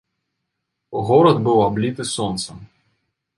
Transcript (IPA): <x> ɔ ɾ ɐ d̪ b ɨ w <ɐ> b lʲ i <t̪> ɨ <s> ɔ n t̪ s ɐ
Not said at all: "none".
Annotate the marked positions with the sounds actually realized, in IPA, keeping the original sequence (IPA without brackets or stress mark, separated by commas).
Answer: ɣ, a, t̪, s